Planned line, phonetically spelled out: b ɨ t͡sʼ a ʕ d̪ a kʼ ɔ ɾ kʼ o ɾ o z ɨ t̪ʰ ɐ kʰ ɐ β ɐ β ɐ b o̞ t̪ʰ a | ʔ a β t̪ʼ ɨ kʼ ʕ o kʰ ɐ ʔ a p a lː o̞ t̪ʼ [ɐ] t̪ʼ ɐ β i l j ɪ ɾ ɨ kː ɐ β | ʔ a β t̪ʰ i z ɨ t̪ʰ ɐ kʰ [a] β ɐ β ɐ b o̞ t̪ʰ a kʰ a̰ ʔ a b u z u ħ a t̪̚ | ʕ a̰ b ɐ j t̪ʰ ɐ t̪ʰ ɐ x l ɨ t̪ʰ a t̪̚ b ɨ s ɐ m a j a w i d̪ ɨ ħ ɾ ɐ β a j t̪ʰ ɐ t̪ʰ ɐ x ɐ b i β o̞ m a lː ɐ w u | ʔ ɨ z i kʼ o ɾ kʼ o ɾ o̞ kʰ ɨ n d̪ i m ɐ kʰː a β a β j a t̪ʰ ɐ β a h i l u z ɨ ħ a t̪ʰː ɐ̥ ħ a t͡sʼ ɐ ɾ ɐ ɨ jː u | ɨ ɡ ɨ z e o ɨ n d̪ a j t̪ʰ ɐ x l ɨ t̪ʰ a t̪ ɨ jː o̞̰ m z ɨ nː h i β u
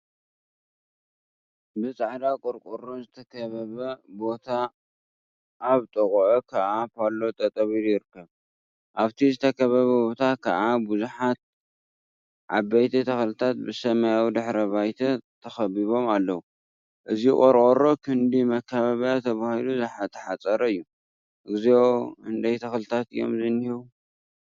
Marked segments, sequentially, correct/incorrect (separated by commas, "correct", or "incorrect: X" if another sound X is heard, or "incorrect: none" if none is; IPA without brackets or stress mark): correct, incorrect: ɐ